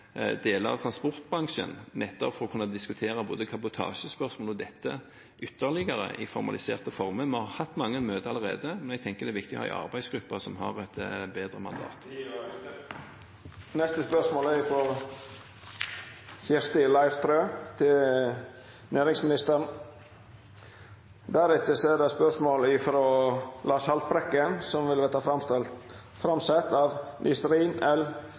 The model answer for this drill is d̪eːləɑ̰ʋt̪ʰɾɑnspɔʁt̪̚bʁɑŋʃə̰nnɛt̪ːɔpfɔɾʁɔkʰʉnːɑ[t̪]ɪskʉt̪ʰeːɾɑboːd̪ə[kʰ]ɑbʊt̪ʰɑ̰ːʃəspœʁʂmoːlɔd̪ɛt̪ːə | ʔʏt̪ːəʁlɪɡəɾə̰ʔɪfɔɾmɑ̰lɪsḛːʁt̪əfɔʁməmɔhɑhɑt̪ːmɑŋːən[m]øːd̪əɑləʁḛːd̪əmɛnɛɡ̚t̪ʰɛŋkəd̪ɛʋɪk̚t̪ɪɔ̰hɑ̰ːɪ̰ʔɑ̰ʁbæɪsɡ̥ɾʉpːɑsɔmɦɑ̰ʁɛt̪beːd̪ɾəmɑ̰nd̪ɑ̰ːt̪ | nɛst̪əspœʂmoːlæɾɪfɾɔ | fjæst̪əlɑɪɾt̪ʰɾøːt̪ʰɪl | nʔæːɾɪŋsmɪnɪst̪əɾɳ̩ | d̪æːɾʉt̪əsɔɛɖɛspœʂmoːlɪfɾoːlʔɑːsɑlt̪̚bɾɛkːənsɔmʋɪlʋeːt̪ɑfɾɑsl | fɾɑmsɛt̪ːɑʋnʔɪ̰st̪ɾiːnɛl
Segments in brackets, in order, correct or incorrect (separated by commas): incorrect, correct, correct